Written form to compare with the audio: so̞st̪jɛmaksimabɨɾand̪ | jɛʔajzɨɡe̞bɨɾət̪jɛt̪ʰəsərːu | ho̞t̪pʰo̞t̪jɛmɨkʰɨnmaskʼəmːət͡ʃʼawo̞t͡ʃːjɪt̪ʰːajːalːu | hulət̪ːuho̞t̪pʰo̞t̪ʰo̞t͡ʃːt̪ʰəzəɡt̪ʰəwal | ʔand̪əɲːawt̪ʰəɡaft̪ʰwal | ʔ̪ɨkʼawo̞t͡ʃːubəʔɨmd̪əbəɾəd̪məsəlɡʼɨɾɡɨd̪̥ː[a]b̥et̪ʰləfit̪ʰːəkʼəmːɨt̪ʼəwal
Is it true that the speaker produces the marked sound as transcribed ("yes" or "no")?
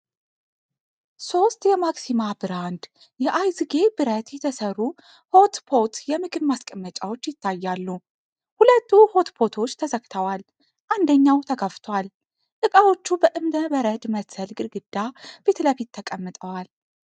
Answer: yes